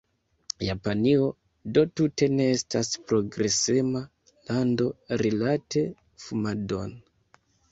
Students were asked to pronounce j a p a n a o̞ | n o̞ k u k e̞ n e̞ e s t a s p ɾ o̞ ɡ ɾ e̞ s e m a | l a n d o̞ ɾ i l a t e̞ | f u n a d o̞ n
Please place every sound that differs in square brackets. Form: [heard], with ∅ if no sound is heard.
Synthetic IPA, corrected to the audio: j a p a n [i] o̞ | [d] o̞ [t] u [t] e̞ n e̞ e s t a s p ɾ o̞ ɡ ɾ e̞ s e m a | l a n d o̞ ɾ i l a t e̞ | f u [m] a d o̞ n